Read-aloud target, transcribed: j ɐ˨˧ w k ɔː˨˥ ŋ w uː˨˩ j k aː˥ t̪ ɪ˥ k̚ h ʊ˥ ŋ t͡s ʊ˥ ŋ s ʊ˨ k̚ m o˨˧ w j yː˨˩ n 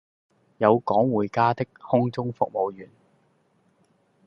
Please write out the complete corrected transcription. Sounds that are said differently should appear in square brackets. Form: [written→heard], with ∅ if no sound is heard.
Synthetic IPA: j ɐ˨˧ w k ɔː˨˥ ŋ w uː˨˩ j k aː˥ t̪ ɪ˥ k̚ h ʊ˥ ŋ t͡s ʊ˥ ŋ [s→f] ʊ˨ k̚ m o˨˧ w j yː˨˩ n